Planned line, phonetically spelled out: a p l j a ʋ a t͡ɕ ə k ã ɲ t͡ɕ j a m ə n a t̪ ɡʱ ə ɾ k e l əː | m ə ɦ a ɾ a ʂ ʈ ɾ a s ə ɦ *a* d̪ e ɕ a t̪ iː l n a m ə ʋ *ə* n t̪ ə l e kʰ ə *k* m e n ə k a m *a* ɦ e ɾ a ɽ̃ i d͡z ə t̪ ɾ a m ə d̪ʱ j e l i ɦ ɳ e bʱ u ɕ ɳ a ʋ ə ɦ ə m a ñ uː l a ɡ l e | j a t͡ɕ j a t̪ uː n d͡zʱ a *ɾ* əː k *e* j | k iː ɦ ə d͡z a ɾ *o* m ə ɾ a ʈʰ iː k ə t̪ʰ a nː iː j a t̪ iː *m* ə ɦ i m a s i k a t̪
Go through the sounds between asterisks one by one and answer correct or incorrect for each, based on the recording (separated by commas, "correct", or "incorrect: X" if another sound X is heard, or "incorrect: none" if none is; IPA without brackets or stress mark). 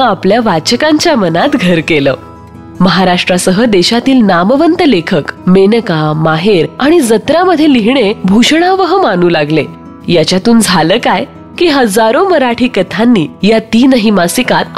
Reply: incorrect: ə, correct, correct, correct, incorrect: l, incorrect: a, correct, incorrect: n